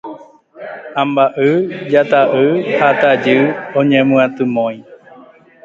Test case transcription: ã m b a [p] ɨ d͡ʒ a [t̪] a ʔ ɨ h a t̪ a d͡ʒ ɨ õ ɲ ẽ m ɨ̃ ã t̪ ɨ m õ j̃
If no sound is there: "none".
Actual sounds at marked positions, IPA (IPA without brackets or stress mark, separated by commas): ʔ, t̪